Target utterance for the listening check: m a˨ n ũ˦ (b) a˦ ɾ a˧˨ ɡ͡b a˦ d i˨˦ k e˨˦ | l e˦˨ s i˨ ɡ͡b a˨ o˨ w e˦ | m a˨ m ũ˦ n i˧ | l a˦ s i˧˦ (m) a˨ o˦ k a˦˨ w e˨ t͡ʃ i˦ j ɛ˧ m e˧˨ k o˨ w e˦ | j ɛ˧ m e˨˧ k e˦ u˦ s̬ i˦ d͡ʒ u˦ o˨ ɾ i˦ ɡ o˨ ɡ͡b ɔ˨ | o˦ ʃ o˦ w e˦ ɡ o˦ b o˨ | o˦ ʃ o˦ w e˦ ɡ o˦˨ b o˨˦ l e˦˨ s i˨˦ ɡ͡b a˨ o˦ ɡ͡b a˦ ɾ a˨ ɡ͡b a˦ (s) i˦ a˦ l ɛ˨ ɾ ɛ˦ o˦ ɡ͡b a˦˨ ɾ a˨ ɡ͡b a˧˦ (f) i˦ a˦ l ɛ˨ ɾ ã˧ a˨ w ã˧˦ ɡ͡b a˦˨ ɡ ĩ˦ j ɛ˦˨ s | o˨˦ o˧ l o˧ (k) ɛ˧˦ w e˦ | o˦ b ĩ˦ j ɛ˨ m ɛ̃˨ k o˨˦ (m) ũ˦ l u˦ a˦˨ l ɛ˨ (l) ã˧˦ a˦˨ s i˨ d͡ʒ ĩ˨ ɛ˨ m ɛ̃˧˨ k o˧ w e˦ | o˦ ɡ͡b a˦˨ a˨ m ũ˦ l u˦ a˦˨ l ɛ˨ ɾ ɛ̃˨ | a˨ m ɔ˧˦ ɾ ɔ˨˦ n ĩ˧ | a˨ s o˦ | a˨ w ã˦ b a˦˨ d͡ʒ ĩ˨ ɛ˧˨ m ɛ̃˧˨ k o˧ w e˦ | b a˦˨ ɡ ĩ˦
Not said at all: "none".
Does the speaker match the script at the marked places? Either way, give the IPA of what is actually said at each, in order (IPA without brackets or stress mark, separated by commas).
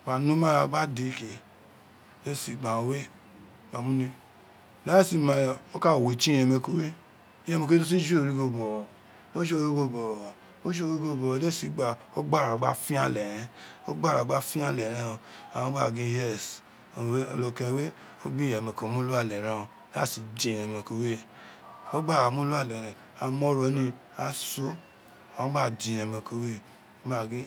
m, m, f, f, k, m, ɾ